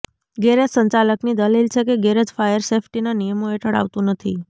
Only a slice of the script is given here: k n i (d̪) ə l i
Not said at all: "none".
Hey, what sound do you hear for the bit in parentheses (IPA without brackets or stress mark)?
d̪